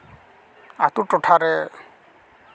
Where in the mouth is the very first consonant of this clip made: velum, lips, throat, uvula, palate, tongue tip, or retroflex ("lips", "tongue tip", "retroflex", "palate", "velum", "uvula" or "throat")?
tongue tip